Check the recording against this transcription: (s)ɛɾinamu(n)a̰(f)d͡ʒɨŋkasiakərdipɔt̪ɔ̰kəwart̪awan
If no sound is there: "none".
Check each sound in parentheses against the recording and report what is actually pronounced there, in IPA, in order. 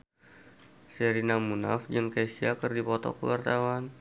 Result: s, n, f

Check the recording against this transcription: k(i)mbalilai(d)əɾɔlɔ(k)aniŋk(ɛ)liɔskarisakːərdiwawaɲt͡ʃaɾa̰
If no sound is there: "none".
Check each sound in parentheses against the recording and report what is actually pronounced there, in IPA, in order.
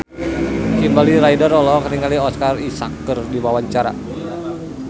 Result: i, d, k, a

